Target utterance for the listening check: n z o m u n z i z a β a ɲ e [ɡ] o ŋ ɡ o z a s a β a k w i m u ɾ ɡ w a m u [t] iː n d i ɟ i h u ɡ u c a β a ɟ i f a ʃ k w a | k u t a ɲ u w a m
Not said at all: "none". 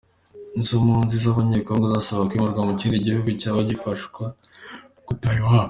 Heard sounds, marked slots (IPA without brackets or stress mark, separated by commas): k, c